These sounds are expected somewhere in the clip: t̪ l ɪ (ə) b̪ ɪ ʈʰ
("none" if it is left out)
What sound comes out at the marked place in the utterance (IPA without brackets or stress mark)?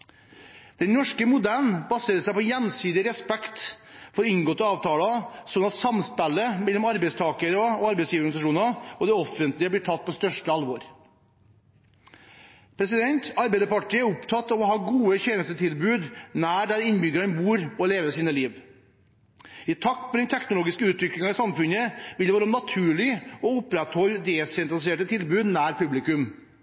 ə